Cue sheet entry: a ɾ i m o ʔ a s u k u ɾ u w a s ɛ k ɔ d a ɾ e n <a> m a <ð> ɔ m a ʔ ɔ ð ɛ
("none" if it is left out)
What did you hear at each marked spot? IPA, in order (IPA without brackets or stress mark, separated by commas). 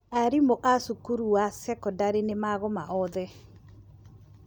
e, ɣ